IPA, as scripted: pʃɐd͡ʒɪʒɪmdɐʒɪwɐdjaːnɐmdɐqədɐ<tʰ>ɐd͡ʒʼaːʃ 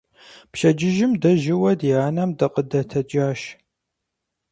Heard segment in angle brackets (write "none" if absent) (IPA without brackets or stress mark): tʰ